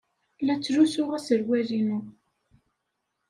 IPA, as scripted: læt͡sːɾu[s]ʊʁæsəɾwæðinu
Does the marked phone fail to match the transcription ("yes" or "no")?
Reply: no